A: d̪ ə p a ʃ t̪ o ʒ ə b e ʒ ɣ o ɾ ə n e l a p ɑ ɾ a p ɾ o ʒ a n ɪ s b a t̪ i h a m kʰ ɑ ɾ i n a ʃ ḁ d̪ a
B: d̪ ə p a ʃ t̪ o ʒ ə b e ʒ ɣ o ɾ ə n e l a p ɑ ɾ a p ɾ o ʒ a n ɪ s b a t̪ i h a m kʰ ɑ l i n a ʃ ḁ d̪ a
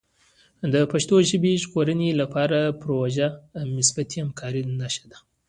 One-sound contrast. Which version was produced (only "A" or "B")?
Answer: A